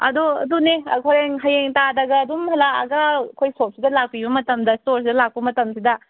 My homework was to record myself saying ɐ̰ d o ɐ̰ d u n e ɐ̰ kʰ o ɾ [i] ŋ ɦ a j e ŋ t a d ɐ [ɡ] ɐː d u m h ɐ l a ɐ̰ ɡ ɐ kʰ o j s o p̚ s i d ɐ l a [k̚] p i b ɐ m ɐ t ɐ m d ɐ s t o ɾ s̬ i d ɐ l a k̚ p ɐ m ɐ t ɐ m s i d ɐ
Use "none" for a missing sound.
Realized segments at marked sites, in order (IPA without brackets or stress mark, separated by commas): e, ɡ, k̚